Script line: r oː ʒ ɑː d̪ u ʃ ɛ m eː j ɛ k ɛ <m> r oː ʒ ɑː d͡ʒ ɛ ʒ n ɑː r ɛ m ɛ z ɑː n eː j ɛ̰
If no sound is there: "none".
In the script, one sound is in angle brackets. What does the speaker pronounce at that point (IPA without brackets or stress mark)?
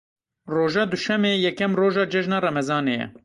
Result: m